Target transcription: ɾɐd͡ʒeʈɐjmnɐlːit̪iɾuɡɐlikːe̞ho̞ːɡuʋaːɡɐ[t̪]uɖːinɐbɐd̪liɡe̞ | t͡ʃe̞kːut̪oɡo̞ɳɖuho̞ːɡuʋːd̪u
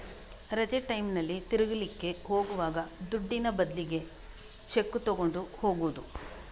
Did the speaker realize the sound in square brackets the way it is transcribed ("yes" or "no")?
no